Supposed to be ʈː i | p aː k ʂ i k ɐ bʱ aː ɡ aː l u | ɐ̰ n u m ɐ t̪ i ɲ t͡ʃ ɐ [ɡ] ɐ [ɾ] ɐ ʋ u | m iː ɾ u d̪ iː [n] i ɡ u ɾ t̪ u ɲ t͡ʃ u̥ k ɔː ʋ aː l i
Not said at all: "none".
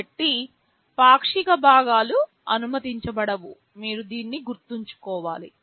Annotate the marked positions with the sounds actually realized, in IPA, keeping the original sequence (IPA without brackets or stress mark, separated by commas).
b, ɽ, nː